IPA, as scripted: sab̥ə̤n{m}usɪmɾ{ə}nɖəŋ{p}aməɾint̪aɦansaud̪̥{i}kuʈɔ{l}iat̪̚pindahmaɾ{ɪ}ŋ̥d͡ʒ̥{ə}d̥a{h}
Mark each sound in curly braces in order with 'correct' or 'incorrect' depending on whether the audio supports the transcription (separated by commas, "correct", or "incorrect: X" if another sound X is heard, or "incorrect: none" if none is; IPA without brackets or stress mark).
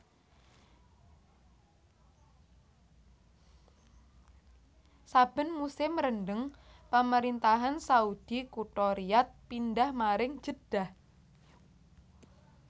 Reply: correct, correct, correct, correct, incorrect: ɾ, correct, correct, correct